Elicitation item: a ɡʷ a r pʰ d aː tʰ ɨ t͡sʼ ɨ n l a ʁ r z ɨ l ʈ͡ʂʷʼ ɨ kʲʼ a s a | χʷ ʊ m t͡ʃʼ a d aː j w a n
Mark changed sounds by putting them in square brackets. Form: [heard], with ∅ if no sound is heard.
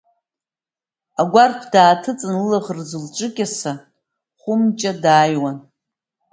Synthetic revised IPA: a ɡʷ a r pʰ d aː tʰ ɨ t͡sʼ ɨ n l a ʁ r z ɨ l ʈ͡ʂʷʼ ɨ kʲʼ a s a | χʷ ʊ m t͡ʃʼ a d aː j w a n